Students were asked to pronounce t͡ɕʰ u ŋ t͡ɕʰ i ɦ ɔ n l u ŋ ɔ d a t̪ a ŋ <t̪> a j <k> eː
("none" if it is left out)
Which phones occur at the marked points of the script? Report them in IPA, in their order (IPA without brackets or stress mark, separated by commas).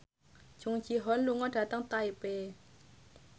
t̪, p